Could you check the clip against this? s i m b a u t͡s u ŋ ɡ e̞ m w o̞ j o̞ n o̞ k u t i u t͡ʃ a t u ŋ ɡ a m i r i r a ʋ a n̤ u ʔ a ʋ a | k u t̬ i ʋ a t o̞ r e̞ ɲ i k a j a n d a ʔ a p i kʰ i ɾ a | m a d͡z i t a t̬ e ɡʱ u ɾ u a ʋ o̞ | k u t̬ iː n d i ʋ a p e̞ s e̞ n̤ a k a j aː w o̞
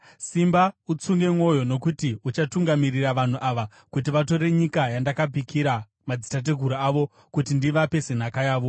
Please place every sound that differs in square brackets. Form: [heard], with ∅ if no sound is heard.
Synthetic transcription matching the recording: s i m b a u t͡s u ŋ ɡ e̞ m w o̞ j o̞ n o̞ k u t i u t͡ʃ a t u ŋ ɡ a m i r i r a ʋ a n̤ u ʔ a ʋ a | k u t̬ i ʋ a t o̞ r e̞ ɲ i k a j a n d a [k] a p i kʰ i ɾ a | m a d͡z i t a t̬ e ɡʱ u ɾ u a ʋ o̞ | k u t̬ [i] n d i ʋ a p e̞ s e̞ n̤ a k a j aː [ʋ] o̞